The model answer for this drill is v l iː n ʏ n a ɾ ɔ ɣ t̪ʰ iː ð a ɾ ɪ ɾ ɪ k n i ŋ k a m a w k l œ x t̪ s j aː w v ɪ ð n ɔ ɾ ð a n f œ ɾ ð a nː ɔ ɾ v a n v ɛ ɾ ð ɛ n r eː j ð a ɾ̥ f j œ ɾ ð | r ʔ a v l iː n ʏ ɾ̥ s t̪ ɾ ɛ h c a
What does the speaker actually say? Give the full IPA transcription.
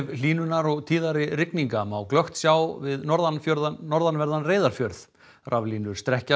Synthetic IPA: v l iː n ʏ n a ɾ ɔ ɣ t̪ʰ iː ð a ɾ ɪ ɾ ɪ k n i ŋ k a m a w k l œ x t̪ s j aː w v ɪ ð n ɔ ɾ ð a n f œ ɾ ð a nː ɔ ɾ ð a n v ɛ ɾ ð a n r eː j ð a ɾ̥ f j œ ɾ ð | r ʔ a v l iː n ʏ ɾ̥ s t̪ ɾ ɛ h c a